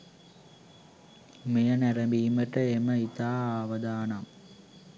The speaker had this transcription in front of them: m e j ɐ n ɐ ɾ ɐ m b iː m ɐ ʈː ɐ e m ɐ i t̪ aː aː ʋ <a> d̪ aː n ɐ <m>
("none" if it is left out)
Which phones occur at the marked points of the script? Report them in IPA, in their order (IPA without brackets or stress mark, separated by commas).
ɐ, m